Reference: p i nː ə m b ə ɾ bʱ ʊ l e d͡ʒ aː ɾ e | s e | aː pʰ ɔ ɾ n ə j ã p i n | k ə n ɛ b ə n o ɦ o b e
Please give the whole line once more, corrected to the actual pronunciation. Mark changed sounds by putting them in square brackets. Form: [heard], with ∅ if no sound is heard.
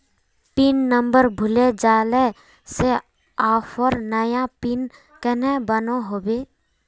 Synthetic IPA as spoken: p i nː ə m b ə ɾ bʱ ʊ l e d͡ʒ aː [l] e | s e | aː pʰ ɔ ɾ n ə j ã p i n | k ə n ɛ b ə n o ɦ o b e

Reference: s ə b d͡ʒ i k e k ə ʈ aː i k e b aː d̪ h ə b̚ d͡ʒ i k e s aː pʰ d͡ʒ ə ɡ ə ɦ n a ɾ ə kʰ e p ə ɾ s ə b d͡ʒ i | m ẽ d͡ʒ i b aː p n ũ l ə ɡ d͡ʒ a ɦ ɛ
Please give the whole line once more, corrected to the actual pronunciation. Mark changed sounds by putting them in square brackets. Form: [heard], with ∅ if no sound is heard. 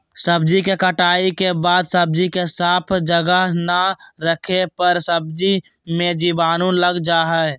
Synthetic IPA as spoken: s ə b d͡ʒ i k e k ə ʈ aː i k e b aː d̪ [s] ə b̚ d͡ʒ i k e s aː pʰ d͡ʒ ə ɡ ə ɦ n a ɾ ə kʰ e p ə ɾ s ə b d͡ʒ i | m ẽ d͡ʒ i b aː [∅] n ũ l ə ɡ d͡ʒ a ɦ ɛ

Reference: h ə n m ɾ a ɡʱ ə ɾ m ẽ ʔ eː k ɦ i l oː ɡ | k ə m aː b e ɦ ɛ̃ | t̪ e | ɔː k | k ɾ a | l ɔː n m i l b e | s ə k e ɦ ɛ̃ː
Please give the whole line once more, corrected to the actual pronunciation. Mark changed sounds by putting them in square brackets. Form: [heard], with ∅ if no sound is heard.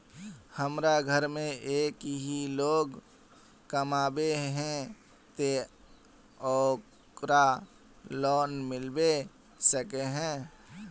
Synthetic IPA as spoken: h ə [∅] m ɾ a ɡʱ ə ɾ m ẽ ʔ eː k ɦ i l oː ɡ | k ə m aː b e ɦ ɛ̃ | t̪ e | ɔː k | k ɾ a | l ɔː n m [ɪ] l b e | s ə k e ɦ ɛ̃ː

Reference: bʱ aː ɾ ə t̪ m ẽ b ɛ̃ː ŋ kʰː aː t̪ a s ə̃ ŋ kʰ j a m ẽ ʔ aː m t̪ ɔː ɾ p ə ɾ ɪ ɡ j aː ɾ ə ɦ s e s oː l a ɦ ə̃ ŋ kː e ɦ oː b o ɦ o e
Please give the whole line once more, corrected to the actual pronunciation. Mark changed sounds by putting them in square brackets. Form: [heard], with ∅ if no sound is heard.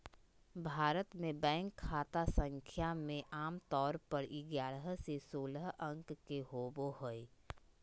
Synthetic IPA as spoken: bʱ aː ɾ ə t̪ m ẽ b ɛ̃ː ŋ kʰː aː t̪ a s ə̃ ŋ kʰ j a m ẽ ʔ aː m t̪ ɔː ɾ p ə ɾ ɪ ɡ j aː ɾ ə ɦ s e s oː l [ə] ɦ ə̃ ŋ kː e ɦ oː b o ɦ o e

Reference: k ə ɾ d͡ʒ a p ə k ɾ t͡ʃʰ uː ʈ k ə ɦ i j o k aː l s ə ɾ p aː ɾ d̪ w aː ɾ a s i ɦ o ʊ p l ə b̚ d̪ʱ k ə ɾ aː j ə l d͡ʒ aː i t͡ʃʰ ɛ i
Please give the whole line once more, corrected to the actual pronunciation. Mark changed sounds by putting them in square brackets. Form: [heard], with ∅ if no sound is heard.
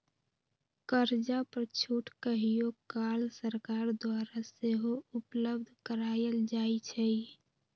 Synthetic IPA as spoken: k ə ɾ d͡ʒ a p ə [∅] ɾ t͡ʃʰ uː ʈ k ə ɦ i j o k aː l s ə ɾ [k] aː ɾ d̪ w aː ɾ a s [e] ɦ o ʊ p l ə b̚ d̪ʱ k ə ɾ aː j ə l d͡ʒ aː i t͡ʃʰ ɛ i

